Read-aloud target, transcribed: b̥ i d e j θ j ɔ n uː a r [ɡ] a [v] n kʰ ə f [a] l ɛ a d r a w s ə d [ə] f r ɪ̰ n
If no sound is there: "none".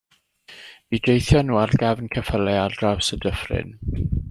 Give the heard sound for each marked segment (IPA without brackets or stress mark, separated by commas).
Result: ɡ, v, ə, ə